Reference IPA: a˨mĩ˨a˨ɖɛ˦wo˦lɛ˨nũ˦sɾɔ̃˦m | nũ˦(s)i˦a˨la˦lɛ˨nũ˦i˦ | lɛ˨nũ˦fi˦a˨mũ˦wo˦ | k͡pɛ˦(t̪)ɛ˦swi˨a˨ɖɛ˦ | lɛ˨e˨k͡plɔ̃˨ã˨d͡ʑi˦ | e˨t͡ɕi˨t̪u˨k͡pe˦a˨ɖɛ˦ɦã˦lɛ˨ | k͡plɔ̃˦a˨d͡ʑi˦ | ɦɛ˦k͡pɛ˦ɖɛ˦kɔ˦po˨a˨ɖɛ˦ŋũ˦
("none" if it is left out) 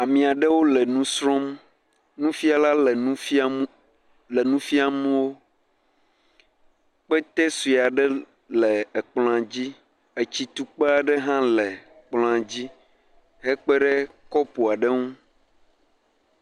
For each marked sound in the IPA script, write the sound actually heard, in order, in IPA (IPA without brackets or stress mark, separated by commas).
f, t̪